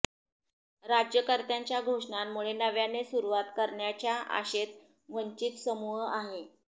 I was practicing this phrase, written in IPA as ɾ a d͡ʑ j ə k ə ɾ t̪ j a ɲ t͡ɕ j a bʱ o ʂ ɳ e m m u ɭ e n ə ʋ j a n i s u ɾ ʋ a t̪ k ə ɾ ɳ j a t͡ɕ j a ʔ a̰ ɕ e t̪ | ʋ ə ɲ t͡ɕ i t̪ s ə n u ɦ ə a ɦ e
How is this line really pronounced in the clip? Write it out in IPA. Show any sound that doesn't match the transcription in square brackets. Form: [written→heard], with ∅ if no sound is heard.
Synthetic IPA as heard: ɾ a d͡ʑ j ə k ə ɾ t̪ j a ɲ t͡ɕ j a [bʱ→ɡʱ] o ʂ ɳ [e→a] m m u ɭ e n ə ʋ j a n [i→e] s u ɾ ʋ a t̪ k ə ɾ ɳ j a t͡ɕ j a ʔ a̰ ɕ e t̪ | ʋ ə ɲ t͡ɕ i t̪ s ə [n→m] u ɦ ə a ɦ e